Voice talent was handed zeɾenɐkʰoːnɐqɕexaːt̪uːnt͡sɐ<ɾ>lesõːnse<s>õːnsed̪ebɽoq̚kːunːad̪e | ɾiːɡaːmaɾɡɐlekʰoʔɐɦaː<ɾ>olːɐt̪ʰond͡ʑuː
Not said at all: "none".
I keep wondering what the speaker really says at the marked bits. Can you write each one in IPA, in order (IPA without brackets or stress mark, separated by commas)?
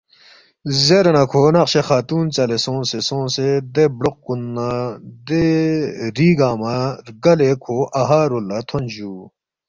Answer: none, s, ɾ